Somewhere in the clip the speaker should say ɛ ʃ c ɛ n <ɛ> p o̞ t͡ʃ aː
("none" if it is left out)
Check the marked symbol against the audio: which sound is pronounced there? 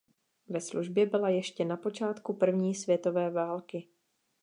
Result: a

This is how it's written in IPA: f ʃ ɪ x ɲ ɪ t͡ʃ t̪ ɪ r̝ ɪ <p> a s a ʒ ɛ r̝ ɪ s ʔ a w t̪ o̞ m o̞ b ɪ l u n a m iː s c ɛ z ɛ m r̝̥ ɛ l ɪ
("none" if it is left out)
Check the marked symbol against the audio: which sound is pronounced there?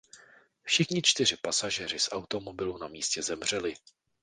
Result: p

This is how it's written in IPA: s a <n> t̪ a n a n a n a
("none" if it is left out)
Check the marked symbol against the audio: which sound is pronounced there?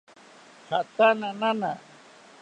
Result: none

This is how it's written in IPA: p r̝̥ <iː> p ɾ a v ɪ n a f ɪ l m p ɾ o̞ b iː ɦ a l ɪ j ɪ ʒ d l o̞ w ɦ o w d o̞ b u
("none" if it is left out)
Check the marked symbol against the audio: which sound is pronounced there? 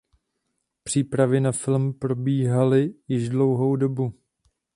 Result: iː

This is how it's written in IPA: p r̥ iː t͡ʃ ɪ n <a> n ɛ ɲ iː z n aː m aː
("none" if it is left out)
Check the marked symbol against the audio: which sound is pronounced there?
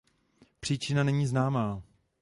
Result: a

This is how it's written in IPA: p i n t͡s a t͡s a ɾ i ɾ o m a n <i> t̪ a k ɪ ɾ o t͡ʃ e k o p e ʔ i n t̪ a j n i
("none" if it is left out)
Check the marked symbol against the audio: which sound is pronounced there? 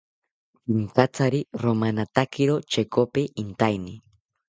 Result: a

